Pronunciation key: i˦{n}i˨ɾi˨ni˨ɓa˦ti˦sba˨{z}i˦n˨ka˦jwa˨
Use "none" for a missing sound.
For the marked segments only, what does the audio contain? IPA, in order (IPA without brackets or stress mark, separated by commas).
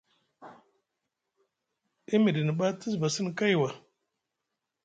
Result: m, s